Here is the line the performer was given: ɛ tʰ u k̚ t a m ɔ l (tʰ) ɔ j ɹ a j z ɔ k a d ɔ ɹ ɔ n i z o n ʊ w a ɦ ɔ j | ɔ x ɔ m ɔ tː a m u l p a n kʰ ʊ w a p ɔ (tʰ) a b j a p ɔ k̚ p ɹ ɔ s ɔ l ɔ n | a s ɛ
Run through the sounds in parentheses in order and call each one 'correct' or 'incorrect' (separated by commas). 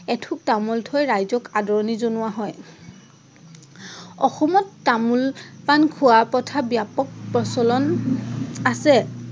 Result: correct, correct